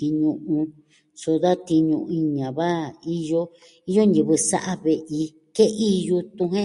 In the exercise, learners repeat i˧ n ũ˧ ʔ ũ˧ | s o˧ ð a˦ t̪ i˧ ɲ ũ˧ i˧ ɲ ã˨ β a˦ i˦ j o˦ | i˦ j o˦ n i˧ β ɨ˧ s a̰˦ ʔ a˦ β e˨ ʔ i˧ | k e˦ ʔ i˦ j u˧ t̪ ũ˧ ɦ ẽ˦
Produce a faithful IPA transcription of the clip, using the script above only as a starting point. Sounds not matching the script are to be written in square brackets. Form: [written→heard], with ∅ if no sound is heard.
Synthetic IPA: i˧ [n→ɲ] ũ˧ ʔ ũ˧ | s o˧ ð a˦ t̪ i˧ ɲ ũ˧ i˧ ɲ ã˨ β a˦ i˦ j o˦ | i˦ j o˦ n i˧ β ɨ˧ s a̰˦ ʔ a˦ β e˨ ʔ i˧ | k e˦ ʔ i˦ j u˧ t̪ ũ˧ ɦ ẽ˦